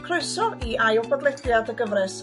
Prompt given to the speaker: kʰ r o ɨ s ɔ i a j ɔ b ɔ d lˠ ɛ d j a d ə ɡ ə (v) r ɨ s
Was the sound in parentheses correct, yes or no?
yes